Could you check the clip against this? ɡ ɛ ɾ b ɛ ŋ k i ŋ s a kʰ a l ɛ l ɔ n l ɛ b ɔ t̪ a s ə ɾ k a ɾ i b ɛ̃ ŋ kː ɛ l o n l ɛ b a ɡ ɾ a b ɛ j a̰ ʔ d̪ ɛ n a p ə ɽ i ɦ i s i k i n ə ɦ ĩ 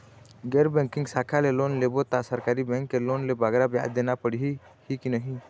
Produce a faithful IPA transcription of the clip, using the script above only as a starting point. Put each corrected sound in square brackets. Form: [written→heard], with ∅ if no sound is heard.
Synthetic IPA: ɡ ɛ ɾ b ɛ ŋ k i ŋ s a kʰ a l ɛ l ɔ n l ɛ b ɔ t̪ a s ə ɾ k a ɾ i b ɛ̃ ŋ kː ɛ l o n l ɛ b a ɡ ɾ a b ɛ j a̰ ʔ d̪ ɛ n a p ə ɽ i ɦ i [s→h] i k i n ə ɦ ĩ